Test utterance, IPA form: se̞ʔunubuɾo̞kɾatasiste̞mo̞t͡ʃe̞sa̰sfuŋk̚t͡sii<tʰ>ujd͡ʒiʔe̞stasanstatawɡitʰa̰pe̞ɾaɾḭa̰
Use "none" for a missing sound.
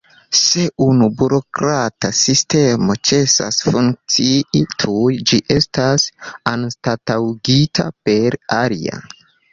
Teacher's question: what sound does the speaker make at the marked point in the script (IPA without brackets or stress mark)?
tʰ